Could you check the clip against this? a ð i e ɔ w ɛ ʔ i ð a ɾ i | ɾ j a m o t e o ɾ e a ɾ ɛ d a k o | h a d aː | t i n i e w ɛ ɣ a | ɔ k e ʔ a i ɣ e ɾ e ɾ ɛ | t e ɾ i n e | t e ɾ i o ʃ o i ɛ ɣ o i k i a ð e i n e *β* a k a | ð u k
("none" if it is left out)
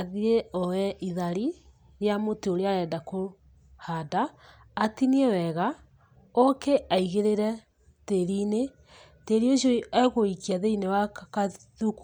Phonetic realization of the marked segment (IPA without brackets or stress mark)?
w